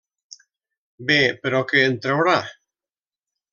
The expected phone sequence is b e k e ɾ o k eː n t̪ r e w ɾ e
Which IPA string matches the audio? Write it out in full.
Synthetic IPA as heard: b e p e ɾ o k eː n t̪ ɾ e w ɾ a

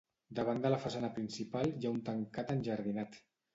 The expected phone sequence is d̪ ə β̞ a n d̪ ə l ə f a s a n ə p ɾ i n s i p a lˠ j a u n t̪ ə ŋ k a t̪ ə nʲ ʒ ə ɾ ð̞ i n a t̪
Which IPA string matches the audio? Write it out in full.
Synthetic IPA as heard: d̪ ə β̞ a n d̪ ə l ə f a s a n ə p ɾ i n s i p a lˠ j a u n t̪ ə ŋ k a t̪ ə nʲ ʒ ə ɾ ð̞ i n a t̪

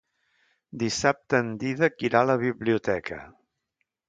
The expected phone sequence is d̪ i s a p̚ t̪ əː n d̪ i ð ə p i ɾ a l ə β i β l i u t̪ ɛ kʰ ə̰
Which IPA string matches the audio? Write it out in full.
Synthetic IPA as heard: d̪ i s a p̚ t̪ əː n d̪ i ð ə k i ɾ a l ə β i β l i u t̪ ɛ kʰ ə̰

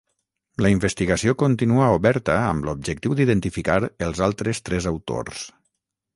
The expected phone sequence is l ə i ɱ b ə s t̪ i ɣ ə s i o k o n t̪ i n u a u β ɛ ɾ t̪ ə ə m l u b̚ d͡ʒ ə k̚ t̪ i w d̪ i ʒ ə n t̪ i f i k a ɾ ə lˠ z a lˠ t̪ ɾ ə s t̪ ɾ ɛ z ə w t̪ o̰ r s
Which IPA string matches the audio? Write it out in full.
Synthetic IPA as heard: l ə i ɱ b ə s t̪ i ɣ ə s i o k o n t̪ i n u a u β ɛ ɾ t̪ ə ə m l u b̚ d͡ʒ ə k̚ t̪ i w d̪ i ð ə n t̪ i f i k a ɾ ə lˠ z a lˠ t̪ ɾ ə s t̪ ɾ ɛ z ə w t̪ o̰ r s

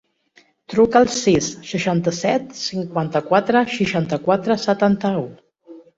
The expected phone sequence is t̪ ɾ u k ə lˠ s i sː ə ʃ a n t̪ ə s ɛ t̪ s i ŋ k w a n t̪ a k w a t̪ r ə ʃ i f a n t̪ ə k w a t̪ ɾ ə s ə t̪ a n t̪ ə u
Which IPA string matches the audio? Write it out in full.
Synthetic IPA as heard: t̪ ɾ u k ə lˠ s i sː ə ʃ a n t̪ ə s ɛ t̪ s i ŋ k w a n t̪ ə k w a t̪ ɾ ə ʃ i ʃ a n t̪ ə k w a t̪ ɾ ə s ə t̪ a n t̪ ə u

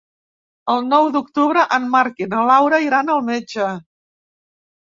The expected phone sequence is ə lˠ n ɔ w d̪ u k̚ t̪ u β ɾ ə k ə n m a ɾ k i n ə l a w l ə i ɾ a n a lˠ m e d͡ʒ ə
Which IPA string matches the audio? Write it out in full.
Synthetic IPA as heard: ə lˠ n ɔ w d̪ u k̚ t̪ u β ɾ ə ʔ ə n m a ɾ k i n ə l a w ɾ ə i ɾ a n ə lˠ m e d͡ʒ ə

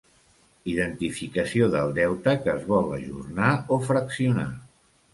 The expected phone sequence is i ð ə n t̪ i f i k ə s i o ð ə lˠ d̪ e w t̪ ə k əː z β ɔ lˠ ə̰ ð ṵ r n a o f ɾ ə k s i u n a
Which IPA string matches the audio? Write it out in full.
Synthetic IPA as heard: i ð ə n t̪ i f i k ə s i o ð ə lˠ d̪ ɛ w t̪ ə k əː z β ɔ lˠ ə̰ ʒ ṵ r n a o f ɾ ə k s i u n a

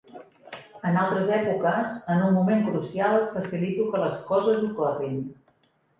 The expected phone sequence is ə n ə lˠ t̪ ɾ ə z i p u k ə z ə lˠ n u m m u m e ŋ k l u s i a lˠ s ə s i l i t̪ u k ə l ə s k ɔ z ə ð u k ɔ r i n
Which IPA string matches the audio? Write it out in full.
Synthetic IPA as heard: ə n a lˠ t̪ ɾ ə z ɛ p u k ə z ə n u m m u m e ŋ k ɾ u s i a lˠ f ə s i l i t̪ u k ə l ə s k ɔ z ə z u k ɔ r i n

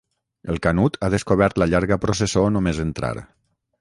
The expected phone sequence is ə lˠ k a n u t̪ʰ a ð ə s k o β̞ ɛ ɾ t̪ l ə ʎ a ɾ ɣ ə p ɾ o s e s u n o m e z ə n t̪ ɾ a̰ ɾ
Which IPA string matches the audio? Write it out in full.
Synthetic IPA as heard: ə lˠ k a n u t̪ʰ a ð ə s k o β̞ ɛ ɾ t̪ l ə ʎ a ɾ ɣ ə p ɾ o s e s o n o m e z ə n t̪ ɾ a̰ ɾ

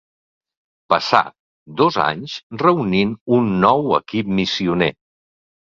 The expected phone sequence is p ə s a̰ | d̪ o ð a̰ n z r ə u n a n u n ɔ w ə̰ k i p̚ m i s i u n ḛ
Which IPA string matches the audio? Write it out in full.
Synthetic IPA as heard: p ə s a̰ | d̪ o z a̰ ɲ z r ə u n i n u nː ɔ w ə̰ k i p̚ m i s i u n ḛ

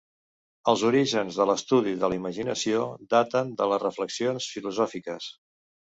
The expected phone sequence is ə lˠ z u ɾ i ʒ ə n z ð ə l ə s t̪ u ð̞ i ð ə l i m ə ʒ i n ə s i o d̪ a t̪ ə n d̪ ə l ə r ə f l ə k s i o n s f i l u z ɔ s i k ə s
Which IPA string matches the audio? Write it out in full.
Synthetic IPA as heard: ə lˠ z u ɾ i ʒ ə n z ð ə l ə s t̪ u ð̞ i ð ə l i m ə ʒ i n ə s i o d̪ a t̪ ə n d̪ ə l ə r ə f l ə k s i o n s f i l u z ɔ f i k ə s

